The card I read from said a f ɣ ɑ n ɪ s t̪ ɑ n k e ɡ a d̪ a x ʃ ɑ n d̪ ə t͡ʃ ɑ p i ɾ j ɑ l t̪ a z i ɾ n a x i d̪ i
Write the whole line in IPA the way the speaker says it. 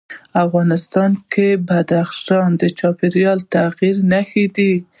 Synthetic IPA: a f ɣ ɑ n ɪ s t̪ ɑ n k e b a d̪ a x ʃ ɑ n d̪ ə t͡ʃ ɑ p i ɾ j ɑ l t̪ a ɣ i ɾ n a x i d̪ i